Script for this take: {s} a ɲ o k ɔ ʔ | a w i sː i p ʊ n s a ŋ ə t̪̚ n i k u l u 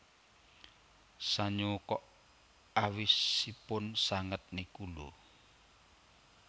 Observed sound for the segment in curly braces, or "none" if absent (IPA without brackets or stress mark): s